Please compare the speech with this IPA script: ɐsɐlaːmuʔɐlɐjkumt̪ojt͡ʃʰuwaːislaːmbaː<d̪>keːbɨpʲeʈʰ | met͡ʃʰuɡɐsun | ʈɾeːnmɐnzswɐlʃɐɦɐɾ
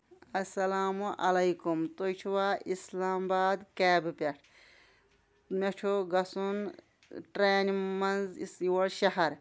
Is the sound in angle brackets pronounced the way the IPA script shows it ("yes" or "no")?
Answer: yes